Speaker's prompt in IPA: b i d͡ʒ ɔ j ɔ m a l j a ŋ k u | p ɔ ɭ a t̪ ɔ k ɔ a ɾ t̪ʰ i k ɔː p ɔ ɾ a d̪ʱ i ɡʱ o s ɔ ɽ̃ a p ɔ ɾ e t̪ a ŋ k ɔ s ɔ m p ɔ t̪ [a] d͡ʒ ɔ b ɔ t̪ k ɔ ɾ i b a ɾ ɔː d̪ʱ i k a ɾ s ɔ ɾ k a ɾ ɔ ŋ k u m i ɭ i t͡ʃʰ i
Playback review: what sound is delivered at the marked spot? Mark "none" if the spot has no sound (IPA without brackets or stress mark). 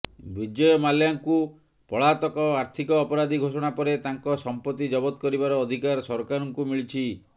i